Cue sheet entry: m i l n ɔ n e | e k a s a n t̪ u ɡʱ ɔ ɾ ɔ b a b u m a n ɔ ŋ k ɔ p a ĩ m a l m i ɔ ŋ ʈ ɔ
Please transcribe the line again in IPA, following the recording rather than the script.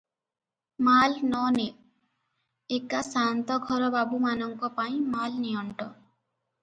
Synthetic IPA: m a l n ɔ n e | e k a s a n t̪ ɔ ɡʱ ɔ ɾ ɔ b a b u m a n ɔ ŋ k ɔ p a ĩ m a l n i ɔ ɳ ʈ ɔ